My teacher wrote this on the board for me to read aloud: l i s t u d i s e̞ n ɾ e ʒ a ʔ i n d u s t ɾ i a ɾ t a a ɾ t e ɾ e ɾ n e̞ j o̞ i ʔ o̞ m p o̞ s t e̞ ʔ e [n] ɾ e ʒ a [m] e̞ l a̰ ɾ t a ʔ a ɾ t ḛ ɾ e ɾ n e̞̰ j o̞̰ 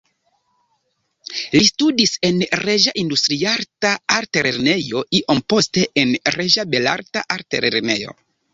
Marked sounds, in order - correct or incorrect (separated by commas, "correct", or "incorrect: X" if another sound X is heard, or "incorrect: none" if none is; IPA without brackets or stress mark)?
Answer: correct, incorrect: b